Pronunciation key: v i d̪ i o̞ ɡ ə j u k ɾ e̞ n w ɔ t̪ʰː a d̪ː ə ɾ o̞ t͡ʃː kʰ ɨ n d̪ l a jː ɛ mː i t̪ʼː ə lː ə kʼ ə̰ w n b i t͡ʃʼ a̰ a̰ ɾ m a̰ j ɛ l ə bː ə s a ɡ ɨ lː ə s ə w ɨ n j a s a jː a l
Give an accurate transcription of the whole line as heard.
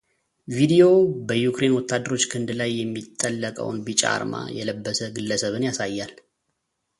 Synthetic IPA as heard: v i d̪ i o̞ b ə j u k ɾ e̞ n w ɔ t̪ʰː a d̪ː ə ɾ o̞ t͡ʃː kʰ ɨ n d̪ l a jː ɛ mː i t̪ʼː ə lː ə kʼ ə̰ w n b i t͡ʃʼ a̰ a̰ ɾ m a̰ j ɛ l ə bː ə s ə ɡ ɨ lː ə s ə β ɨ n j a s a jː a l